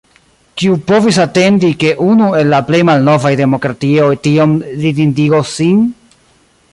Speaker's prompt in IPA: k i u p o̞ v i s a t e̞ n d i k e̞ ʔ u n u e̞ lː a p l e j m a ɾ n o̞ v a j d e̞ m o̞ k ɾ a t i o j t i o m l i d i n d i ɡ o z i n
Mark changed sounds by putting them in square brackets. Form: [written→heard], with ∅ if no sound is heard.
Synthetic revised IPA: k i u p o̞ v i s a t e̞ n d i k e̞ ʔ u n u e̞ lː a p l e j m a [ɾ→l] n o̞ v a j d e̞ m o̞ k ɾ a t i o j t i o m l i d i n d i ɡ o [z→s] i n